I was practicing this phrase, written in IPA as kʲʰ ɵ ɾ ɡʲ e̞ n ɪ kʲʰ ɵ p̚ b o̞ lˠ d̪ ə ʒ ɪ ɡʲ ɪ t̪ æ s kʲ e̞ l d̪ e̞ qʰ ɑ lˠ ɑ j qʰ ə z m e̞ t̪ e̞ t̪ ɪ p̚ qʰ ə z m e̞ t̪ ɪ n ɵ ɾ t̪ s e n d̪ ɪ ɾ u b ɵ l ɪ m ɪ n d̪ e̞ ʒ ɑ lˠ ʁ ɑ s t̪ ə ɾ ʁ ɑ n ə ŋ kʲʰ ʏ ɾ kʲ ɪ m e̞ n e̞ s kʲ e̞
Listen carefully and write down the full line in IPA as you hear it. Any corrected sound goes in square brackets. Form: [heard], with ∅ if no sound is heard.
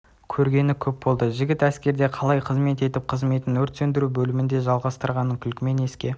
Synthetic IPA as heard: kʲʰ ɵ ɾ ɡʲ e̞ n ɪ kʲʰ ɵ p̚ b o̞ lˠ d̪ ə ʒ ɪ ɡʲ ɪ t̪ æ s kʲ e̞ [ɾ] d̪ e̞ qʰ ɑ lˠ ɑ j qʰ ə z m e̞ t̪ e̞ t̪ ɪ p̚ qʰ ə z m e̞ t̪ ɪ n ɵ ɾ t̪ s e n d̪ ɪ ɾ u b ɵ l ɪ m ɪ n d̪ e̞ ʒ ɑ lˠ ʁ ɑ s t̪ ə ɾ ʁ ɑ n ə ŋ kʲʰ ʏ [l] kʲ ɪ m e̞ n e̞ s kʲ e̞